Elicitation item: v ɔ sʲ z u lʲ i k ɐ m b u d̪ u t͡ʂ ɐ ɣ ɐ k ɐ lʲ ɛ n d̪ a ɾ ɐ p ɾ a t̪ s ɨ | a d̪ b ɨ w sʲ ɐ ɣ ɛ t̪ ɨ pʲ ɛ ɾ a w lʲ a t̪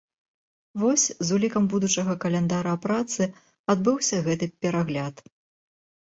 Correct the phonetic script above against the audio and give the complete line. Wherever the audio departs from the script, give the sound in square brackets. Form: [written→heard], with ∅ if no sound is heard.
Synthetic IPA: v ɔ sʲ z u lʲ i k ɐ m b u d̪ u t͡ʂ ɐ ɣ ɐ k ɐ lʲ ɛ n d̪ a ɾ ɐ p ɾ a t̪ s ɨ | a d̪ b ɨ w sʲ ɐ ɣ ɛ t̪ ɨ pʲ ɛ ɾ a [w→ɣ] lʲ a t̪